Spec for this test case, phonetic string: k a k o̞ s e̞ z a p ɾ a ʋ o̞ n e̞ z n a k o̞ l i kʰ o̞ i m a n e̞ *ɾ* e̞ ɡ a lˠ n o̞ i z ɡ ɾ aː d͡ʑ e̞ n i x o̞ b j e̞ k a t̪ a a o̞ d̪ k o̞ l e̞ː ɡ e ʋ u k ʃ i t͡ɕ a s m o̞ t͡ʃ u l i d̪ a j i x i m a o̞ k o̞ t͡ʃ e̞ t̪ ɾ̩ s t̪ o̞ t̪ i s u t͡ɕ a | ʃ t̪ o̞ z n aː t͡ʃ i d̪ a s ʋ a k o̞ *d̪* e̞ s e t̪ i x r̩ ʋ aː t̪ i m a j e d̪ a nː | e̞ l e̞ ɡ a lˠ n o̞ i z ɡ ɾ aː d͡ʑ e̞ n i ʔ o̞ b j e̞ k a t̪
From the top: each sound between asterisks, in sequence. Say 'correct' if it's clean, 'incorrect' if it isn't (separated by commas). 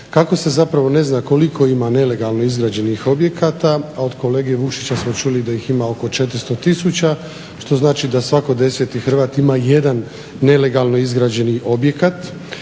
incorrect, correct